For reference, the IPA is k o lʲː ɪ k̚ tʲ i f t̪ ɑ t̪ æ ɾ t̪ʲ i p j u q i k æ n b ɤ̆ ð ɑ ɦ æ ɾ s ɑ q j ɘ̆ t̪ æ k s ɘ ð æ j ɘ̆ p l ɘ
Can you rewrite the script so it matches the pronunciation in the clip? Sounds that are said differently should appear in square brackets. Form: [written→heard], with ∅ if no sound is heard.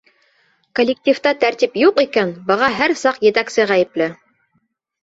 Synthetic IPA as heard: k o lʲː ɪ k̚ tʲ i f t̪ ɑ t̪ æ ɾ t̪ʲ i p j u q i k æ n b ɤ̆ [ð→ʁ] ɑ ɦ æ ɾ s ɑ q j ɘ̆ t̪ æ k s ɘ [ð→ʁ] æ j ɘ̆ p l ɘ